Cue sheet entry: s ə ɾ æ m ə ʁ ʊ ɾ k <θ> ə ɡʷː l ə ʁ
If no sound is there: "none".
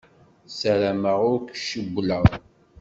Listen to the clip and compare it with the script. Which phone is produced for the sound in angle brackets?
ʃ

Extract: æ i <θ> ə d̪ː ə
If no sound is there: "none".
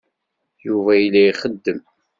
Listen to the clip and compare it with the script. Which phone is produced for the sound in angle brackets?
χ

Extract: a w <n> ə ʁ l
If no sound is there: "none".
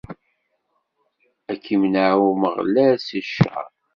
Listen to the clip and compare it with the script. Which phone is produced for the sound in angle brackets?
m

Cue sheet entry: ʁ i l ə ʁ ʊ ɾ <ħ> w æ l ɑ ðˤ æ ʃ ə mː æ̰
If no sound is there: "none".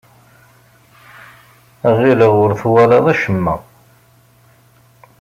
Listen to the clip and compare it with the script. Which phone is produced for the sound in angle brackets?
θ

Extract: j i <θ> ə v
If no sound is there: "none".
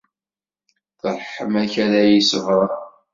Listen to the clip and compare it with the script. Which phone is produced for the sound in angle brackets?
s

